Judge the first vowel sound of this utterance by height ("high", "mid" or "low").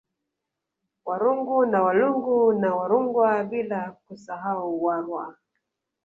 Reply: low